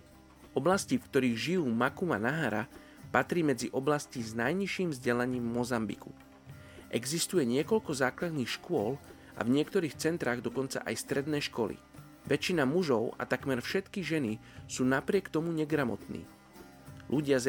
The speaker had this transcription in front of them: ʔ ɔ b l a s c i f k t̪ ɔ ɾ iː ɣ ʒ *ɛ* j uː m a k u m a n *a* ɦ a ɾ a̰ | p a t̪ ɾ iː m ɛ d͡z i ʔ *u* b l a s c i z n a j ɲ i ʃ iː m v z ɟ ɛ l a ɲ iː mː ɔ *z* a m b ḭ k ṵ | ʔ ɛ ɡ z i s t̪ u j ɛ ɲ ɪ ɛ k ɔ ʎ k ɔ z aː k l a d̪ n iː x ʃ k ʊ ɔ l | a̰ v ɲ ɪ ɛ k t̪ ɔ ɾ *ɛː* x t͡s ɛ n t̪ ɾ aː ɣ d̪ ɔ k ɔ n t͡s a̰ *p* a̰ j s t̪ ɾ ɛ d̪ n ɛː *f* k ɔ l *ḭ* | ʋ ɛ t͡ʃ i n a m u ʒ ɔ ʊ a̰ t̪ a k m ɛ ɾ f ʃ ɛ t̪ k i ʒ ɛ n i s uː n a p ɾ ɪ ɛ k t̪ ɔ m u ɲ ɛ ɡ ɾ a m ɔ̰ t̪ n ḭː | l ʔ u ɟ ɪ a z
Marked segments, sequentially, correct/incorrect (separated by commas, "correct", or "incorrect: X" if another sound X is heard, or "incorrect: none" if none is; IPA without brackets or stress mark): incorrect: i, correct, incorrect: ɔ, correct, incorrect: iː, incorrect: ʔ, incorrect: ʃ, correct